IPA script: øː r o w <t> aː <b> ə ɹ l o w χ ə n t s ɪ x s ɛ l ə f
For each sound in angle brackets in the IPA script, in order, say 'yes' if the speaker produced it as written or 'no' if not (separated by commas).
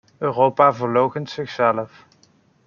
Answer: no, no